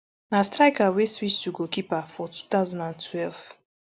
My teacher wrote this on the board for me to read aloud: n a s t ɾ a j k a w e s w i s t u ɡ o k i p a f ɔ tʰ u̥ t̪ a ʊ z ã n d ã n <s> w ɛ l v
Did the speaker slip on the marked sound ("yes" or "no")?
yes